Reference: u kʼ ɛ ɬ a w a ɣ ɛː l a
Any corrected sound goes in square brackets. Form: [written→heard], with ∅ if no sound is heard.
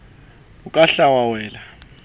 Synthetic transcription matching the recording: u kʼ [ɛ→a] ɬ a w a [ɣ→w] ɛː l a